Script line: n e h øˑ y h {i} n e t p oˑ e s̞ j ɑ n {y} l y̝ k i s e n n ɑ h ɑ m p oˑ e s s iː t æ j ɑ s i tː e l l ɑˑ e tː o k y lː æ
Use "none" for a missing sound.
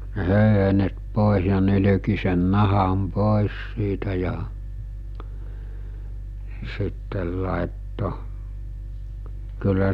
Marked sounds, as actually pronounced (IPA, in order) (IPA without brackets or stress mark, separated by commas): e, y